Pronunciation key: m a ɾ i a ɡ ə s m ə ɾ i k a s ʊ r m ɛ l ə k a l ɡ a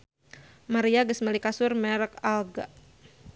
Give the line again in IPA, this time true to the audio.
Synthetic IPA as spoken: m a ɾ i a ɡ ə s m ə l i k a s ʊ r m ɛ ɾ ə k a l ɡ a